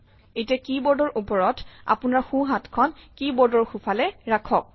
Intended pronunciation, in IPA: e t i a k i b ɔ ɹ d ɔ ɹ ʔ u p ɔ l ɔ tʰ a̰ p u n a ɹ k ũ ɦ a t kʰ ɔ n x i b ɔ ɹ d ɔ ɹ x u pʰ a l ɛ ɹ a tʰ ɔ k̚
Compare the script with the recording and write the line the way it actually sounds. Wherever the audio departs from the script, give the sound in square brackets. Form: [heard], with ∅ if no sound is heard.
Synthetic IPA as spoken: e t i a k i b ɔ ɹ d ɔ ɹ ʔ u p ɔ [ɹ] ɔ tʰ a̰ p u n a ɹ [x] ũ ɦ a t kʰ ɔ n [k] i b ɔ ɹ d ɔ ɹ x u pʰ a l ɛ ɹ a [kʰ] ɔ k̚

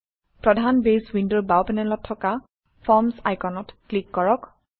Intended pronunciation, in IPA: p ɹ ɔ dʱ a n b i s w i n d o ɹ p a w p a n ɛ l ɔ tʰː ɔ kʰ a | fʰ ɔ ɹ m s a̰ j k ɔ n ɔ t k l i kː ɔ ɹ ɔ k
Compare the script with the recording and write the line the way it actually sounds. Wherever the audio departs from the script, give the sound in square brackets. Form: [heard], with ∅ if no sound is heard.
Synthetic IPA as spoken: p ɹ ɔ dʱ a n b [e] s w i n d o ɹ [b] a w p [ɛ] n ɛ l ɔ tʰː ɔ [k] a | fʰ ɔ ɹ m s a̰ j k ɔ n ɔ t k l i kː ɔ ɹ ɔ k

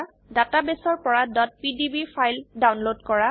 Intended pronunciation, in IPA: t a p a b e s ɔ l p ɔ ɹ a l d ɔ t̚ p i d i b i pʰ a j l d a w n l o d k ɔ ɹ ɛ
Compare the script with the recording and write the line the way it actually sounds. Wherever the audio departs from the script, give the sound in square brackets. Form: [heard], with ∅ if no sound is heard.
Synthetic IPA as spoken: [d] a [t] a b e s ɔ [ɹ] p ɔ ɹ a [∅] d ɔ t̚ p i d i b i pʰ a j l d a w n l o d k ɔ ɹ [a]

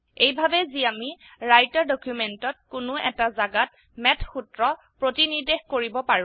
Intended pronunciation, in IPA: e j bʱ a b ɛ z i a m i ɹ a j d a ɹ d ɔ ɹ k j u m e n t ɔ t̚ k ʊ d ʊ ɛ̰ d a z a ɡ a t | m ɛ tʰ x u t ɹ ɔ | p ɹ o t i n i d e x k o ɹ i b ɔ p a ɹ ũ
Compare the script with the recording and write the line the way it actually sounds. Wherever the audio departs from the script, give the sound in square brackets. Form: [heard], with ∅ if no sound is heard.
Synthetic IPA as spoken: e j bʱ a b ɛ z i a m i ɹ a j [t] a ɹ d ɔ [∅] k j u m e n t ɔ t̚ k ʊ [n] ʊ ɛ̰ [t] a z a ɡ a t | m ɛ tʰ x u t ɹ ɔ | p ɹ o t i n i d e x k o ɹ i b ɔ p a ɹ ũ

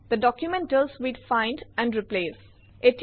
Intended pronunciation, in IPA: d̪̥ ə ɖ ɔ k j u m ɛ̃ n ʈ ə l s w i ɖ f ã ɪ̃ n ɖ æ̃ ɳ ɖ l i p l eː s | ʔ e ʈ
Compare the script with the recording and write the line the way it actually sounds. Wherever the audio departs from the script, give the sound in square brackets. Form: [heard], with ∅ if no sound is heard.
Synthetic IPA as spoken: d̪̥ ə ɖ ɔ k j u m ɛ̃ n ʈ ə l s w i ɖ f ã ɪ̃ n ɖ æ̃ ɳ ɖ [ɾ] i p l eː s | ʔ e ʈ

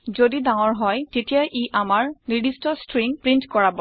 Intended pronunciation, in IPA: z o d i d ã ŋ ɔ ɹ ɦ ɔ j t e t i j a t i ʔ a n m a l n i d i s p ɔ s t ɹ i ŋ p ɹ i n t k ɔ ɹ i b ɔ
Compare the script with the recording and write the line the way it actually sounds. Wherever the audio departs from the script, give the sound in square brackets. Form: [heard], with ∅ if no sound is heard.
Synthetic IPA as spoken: z o d i d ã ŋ ɔ ɹ ɦ ɔ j t e t i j a [ʔ] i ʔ a [∅] m a [ɹ] n i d i s [t] ɔ s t ɹ i ŋ p ɹ i n t k ɔ ɹ [a] b ɔ

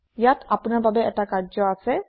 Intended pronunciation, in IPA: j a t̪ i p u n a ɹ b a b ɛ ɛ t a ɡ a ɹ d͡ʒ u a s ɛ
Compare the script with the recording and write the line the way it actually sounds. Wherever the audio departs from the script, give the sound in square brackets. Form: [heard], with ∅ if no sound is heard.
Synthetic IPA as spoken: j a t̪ [a] p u n a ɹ b a b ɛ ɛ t a [k] a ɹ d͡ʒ [ɔ] a s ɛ

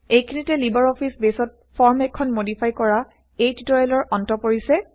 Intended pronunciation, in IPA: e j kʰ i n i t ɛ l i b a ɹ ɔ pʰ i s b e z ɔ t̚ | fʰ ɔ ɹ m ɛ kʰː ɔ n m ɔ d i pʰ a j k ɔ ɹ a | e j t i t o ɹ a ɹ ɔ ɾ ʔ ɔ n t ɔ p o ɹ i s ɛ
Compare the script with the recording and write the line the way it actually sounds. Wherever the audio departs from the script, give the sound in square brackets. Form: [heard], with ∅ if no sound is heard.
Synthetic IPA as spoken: e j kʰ i n i t ɛ l i b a ɹ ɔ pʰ i s b e [s] ɔ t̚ | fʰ ɔ ɹ m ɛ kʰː ɔ n m [o] d i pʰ a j k ɔ ɹ a | e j t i t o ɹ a [l] ɔ [ɹ] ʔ ɔ n t ɔ p o ɹ i s ɛ

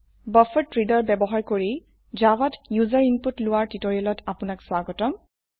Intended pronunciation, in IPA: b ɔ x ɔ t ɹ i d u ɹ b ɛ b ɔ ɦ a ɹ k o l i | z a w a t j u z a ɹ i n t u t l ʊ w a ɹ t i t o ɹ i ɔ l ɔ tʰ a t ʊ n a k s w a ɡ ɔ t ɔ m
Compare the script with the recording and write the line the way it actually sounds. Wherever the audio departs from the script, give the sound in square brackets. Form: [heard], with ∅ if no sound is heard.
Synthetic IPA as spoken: b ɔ [f] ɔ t ɹ i d [ɔ] ɹ b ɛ b ɔ ɦ a ɹ k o [ɹ] i | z a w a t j u z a ɹ i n [p] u t l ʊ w a ɹ t i t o ɹ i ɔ l ɔ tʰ a [p] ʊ n a k s w a ɡ ɔ t ɔ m

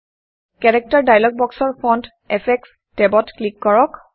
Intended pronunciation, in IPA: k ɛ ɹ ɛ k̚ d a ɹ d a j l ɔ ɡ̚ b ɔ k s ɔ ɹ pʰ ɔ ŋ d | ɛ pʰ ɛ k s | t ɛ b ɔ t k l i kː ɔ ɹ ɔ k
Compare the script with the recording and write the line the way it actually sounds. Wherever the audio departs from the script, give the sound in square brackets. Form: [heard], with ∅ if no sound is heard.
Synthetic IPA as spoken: k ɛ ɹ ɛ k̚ [t] a ɹ d a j l ɔ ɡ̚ b ɔ k s ɔ ɹ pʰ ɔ [n] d | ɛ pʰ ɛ k s | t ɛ b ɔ t k l i kː ɔ ɹ ɔ k

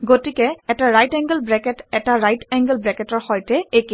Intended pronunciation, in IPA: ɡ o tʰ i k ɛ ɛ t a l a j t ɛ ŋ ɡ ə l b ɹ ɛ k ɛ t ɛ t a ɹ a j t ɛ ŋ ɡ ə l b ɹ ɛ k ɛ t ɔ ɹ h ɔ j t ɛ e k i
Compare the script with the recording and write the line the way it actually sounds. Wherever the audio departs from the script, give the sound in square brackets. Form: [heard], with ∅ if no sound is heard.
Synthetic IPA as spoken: ɡ o [t] i k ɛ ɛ t a [ɹ] a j t ɛ ŋ ɡ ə l b ɹ ɛ k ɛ t ɛ t a ɹ a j t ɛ ŋ ɡ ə l b ɹ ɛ k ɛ t ɔ ɹ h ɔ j t ɛ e k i

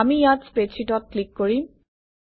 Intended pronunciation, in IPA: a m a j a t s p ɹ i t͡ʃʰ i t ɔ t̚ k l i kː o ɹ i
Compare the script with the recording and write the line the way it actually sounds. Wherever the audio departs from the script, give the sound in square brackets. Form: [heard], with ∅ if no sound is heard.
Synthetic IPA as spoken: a m [i] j a t s p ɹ [e] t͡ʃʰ i t ɔ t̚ k l i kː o ɹ i

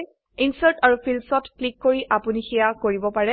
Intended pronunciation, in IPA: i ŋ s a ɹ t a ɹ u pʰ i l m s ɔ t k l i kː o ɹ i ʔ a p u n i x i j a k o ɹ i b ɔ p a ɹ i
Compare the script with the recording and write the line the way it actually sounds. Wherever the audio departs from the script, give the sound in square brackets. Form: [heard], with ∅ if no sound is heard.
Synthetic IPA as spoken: i [n] s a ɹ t a ɹ u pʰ i l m s ɔ t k l i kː o ɹ i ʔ a p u n i x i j a k o ɹ i b ɔ p a ɹ [ɛ]

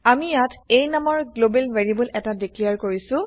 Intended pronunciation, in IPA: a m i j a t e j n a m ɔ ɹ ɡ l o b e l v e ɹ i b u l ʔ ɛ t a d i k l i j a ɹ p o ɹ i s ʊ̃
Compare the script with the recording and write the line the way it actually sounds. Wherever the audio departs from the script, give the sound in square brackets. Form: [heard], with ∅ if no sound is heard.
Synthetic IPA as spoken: a m i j a t e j n a m ɔ ɹ ɡ l o b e l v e ɹ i b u l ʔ ɛ t a d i k l i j a ɹ [k] o ɹ i s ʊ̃

